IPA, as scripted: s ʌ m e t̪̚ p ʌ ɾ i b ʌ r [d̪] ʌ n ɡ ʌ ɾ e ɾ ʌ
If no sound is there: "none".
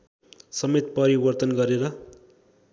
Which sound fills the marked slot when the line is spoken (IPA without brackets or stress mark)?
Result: t̪